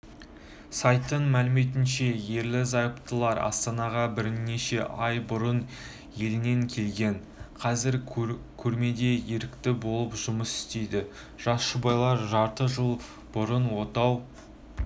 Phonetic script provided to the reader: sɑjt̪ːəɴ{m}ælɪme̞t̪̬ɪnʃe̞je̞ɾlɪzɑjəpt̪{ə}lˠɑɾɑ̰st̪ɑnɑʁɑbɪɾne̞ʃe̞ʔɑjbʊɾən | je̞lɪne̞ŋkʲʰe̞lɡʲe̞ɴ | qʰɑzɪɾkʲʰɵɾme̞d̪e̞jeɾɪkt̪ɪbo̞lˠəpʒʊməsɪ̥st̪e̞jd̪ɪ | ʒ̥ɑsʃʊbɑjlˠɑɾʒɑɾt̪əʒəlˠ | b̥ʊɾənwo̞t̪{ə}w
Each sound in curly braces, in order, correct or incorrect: correct, correct, incorrect: ɑ

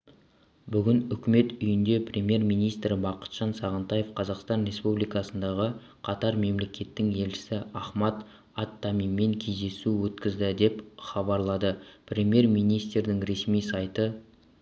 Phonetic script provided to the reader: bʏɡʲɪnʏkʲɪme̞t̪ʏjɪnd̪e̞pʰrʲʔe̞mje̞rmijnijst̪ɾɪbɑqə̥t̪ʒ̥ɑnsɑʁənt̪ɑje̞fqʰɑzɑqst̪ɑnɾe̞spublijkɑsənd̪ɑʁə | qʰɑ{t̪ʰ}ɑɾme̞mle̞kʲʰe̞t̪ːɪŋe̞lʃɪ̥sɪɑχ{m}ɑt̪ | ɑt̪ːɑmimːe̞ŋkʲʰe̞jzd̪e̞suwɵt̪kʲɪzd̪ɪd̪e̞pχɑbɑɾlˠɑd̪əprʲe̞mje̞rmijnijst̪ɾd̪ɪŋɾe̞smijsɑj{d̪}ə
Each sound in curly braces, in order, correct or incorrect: incorrect: t̪, correct, incorrect: t̪

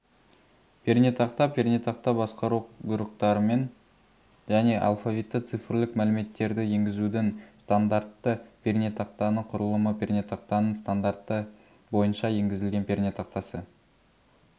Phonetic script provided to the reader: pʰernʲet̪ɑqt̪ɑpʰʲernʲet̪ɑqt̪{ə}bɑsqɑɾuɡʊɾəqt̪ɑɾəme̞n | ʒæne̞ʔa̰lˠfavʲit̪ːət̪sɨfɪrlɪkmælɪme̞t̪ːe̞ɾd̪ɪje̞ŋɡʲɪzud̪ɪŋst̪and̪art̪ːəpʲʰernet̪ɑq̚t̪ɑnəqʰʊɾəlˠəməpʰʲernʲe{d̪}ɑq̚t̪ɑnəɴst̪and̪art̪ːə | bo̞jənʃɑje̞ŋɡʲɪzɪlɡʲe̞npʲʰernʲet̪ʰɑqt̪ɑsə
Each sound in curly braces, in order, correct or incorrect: incorrect: ɑ, incorrect: t̪

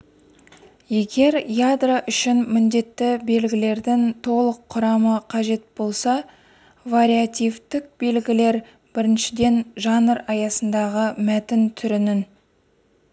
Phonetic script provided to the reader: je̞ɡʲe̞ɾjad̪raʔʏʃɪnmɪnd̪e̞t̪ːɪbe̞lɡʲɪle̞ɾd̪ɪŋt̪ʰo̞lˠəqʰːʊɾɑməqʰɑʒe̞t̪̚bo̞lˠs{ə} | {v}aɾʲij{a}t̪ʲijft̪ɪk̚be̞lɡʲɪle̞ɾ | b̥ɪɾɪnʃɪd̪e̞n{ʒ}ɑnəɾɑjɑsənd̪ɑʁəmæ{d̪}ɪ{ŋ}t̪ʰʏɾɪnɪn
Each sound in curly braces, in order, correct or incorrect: incorrect: ɑ, correct, correct, correct, incorrect: t̪, incorrect: n

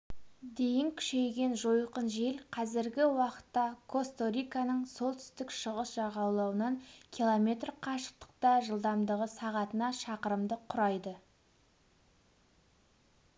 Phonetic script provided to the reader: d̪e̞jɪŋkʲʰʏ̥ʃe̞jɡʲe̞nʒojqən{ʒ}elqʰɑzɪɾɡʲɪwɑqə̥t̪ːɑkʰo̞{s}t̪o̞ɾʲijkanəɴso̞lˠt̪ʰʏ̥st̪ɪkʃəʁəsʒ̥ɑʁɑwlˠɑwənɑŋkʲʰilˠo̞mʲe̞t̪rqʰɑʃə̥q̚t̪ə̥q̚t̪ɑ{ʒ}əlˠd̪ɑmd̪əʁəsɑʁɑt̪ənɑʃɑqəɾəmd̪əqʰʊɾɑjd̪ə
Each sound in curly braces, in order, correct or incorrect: correct, correct, correct

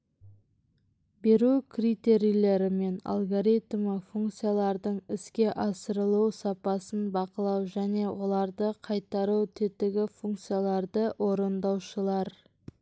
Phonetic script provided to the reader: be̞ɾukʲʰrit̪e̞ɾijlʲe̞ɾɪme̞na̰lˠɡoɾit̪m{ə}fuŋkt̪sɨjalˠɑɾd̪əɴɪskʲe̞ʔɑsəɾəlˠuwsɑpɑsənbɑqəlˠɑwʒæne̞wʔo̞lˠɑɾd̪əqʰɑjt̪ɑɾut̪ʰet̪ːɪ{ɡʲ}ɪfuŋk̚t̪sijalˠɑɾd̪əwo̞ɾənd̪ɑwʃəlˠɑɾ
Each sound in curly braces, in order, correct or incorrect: correct, correct

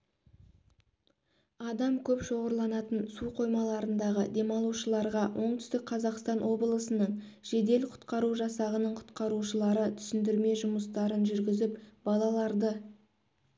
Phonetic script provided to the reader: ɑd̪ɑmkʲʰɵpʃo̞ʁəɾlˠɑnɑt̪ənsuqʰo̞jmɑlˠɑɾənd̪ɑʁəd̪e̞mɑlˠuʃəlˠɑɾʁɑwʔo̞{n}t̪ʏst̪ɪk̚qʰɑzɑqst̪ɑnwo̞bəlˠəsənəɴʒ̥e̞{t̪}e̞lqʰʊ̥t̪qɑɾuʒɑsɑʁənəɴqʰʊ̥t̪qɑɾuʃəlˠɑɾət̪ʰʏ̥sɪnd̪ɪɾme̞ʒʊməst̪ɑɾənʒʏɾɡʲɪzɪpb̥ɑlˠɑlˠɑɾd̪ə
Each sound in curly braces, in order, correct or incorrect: incorrect: ɴ, incorrect: d̪

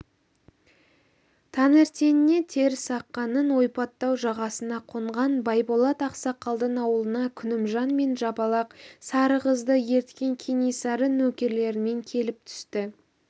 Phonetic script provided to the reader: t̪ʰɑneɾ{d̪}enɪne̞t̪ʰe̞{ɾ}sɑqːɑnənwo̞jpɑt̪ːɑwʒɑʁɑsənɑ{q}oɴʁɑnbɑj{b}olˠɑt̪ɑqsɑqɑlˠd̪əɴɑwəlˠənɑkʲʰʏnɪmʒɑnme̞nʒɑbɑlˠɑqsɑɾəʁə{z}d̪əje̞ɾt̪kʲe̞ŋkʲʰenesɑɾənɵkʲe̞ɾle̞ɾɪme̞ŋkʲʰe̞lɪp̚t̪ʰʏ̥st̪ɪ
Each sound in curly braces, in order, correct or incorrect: incorrect: t̪, correct, incorrect: qʰ, correct, correct

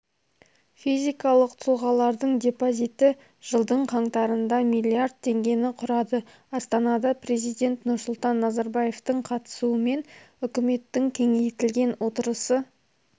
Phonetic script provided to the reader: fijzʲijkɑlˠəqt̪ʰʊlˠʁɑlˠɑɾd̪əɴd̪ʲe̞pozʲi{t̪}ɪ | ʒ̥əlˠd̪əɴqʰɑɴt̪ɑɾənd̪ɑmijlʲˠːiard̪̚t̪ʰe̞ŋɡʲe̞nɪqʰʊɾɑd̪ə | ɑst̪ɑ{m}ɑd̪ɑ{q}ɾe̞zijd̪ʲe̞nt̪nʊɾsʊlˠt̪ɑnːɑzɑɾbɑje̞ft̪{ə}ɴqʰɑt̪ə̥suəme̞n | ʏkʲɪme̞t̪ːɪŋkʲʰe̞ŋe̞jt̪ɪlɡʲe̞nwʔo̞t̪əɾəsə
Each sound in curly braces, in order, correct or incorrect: correct, incorrect: n, incorrect: p, correct

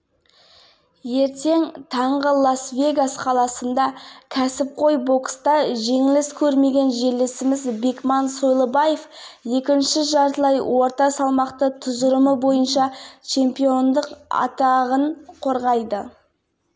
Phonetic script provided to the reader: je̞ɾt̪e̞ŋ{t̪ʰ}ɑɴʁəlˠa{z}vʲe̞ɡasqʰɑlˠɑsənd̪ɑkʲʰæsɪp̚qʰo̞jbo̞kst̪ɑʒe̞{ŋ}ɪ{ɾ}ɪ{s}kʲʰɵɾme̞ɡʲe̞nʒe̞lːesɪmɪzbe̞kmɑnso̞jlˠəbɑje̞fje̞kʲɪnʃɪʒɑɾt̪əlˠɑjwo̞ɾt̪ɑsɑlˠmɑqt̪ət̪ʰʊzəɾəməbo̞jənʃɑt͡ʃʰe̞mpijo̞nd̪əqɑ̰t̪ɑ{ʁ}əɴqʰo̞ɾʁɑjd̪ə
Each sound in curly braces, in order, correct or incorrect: correct, incorrect: s, correct, incorrect: l, correct, correct

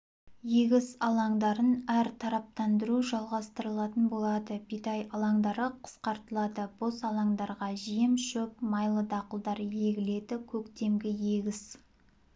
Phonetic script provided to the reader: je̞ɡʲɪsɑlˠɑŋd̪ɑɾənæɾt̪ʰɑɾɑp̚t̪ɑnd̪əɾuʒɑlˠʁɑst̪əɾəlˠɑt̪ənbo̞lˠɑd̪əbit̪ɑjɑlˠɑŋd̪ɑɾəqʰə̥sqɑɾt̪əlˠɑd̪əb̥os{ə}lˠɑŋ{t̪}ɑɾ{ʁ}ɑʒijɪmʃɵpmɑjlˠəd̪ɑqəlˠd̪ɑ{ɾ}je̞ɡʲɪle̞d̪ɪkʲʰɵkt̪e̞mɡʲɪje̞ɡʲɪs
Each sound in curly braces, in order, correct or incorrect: incorrect: ɑ, incorrect: d̪, correct, correct

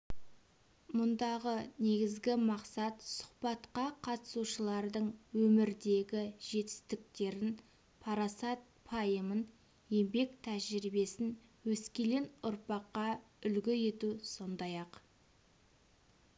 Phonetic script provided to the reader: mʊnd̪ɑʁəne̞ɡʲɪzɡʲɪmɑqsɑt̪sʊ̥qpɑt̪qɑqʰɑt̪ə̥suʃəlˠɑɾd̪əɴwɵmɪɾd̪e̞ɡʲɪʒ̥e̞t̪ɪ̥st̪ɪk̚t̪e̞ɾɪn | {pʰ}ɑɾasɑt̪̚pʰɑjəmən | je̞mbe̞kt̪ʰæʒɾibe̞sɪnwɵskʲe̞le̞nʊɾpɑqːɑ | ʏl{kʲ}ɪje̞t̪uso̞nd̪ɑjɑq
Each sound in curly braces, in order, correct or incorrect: correct, incorrect: ɡʲ

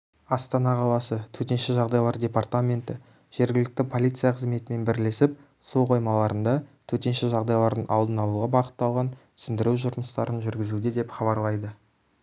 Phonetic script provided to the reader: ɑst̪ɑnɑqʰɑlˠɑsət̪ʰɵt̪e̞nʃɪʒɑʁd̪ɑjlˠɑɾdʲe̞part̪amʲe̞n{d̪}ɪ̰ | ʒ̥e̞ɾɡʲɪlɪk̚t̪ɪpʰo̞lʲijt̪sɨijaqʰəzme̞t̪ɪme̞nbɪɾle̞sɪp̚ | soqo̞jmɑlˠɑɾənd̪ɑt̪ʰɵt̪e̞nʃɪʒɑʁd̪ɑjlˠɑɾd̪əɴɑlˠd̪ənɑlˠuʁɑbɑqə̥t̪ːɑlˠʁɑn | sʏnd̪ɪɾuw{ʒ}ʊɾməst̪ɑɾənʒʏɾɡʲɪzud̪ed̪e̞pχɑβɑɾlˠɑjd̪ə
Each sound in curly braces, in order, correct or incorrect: incorrect: t̪, correct

